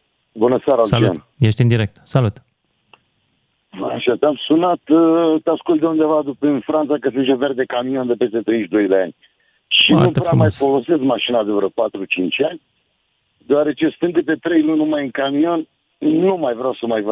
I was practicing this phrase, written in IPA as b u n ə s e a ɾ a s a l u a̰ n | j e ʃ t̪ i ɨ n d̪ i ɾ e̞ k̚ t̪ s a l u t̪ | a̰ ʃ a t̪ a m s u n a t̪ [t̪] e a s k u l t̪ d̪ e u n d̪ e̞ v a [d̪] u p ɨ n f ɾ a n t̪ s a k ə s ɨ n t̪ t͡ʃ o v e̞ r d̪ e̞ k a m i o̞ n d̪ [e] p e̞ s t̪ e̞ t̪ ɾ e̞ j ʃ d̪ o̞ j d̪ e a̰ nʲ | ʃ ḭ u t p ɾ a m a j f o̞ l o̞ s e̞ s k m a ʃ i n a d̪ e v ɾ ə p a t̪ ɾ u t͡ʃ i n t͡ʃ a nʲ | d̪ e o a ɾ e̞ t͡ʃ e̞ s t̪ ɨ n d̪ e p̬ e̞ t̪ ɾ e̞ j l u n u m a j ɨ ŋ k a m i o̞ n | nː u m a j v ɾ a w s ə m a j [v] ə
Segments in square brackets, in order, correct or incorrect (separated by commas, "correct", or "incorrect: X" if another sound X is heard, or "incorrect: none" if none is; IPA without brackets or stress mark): correct, correct, correct, correct